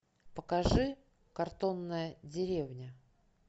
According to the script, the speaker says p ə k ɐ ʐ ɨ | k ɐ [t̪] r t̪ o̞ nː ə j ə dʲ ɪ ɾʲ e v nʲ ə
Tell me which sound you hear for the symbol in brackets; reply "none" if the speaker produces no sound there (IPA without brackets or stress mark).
none